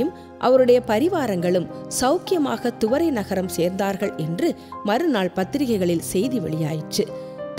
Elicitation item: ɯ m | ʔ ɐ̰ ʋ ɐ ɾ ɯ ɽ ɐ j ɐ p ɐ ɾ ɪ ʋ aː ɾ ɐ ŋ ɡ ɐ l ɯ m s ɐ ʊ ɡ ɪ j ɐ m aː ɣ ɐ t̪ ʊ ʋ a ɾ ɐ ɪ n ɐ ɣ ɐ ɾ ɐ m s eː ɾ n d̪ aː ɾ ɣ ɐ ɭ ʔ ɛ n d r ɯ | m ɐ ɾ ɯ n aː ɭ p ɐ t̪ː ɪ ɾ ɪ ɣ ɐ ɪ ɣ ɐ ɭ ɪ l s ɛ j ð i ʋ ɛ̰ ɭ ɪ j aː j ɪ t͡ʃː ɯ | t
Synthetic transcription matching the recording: ɯ m | ʔ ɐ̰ ʋ ɐ ɾ ɯ ɽ ɐ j ɐ p ɐ ɾ ɪ ʋ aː ɾ ɐ ŋ ɡ ɐ ɭ ɯ m s ɐ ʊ k ɪ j ɐ m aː ɣ ɐ t̪ ʊ ʋ ɐ ɾ ɐ ɪ n ɐ ɣ ɐ ɾ ɐ m s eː ɾ n d̪ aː ɾ ɣ ɐ ɭ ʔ ɛ n d r ɯ | m ɐ ɾ ɯ n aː ɭ p ɐ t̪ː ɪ ɾ ɪ ɣ ɐ ɪ ɣ ɐ ɭ ɪ l s ɛ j ð i ʋ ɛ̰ ɭ ɪ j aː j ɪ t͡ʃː ɯ | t